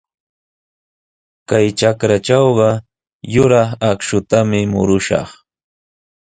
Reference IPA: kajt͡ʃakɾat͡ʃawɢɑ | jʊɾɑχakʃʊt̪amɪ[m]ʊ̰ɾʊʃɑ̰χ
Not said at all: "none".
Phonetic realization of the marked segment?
m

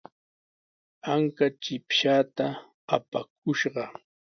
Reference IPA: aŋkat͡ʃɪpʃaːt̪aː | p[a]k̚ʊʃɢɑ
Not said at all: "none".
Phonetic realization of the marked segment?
a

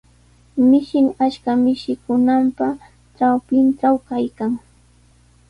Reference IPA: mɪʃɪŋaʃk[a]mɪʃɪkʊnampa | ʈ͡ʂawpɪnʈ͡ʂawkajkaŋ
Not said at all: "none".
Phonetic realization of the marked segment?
a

